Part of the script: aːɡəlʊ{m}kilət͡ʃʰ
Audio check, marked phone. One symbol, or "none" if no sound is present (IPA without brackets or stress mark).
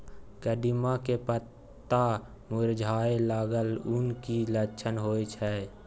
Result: n